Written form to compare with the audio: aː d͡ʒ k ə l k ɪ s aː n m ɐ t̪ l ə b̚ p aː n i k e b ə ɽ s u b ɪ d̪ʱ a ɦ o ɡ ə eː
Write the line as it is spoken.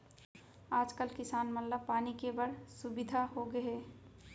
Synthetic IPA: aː d͡ʒ k ə l k ɪ s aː n m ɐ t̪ l ə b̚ p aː n i k e b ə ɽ s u b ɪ d̪ʱ a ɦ o ɡ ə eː